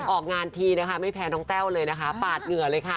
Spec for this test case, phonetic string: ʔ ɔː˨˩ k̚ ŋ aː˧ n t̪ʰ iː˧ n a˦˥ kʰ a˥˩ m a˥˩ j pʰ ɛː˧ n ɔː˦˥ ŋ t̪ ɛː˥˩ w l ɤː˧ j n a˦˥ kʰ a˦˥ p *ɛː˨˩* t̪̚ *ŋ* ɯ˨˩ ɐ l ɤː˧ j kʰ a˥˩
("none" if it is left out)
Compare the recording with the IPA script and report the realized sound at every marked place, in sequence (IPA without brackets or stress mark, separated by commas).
aː˨˩, ŋ